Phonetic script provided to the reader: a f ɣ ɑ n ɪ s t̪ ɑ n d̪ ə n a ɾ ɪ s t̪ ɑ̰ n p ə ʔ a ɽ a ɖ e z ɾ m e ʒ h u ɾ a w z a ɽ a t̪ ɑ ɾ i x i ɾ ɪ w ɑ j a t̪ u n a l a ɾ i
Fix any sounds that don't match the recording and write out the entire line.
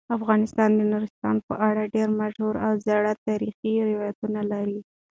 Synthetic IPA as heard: a f ɣ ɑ n ɪ s t̪ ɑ n d̪ ə n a ɾ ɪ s t̪ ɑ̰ n p ə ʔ a ɽ a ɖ e ɾ m a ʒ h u ɾ a w z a ɽ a t̪ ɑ ɾ i x i ɾ ɪ w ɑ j a t̪ u n a l a ɾ i